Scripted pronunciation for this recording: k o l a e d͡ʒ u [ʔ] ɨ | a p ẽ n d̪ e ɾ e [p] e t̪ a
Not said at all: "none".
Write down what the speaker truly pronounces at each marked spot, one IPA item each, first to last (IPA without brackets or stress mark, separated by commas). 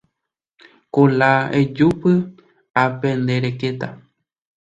p, k